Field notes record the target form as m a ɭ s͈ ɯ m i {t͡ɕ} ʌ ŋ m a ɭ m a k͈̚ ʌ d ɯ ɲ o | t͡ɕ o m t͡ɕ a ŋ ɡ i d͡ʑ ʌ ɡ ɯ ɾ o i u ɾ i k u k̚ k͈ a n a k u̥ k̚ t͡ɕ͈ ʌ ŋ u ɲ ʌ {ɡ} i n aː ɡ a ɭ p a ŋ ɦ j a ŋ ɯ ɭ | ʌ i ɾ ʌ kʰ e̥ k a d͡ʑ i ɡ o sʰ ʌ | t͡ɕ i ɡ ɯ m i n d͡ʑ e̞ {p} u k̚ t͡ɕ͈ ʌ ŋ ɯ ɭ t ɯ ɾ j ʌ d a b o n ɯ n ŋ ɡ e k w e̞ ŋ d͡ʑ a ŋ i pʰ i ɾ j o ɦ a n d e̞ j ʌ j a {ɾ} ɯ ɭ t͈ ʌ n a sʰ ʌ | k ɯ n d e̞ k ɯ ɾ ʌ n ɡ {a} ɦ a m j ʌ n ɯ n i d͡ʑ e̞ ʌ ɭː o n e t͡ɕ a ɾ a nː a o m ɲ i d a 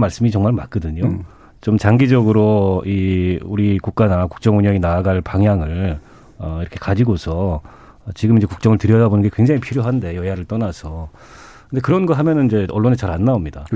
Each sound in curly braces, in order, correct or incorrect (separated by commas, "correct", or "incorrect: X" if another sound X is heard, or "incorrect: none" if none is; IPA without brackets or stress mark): correct, incorrect: ŋ, incorrect: k, correct, incorrect: ʌ